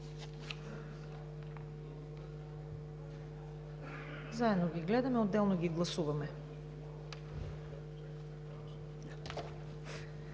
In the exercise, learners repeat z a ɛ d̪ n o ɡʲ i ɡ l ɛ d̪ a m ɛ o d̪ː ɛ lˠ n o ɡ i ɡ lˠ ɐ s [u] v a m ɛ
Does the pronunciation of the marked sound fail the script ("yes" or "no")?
no